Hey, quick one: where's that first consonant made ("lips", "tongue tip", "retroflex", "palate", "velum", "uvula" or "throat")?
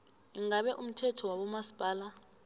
velum